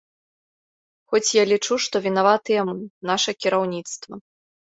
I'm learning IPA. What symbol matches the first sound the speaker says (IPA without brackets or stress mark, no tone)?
x